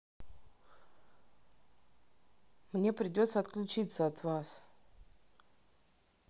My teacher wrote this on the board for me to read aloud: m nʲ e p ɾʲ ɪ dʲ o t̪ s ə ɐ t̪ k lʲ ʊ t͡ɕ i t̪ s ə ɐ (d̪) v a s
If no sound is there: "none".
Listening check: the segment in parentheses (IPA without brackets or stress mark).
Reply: t̪